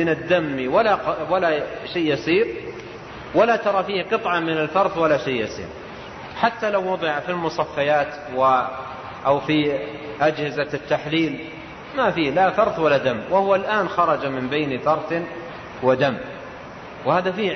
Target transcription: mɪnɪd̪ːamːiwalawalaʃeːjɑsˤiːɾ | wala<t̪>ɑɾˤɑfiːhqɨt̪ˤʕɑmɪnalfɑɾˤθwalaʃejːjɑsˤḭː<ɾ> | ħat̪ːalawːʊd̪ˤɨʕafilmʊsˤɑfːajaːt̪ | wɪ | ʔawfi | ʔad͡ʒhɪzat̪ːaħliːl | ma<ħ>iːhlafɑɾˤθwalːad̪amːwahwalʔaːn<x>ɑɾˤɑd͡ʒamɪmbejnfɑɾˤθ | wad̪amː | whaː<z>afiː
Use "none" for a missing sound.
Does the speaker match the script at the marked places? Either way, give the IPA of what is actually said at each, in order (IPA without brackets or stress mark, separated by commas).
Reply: t̪, ɾ, f, x, ð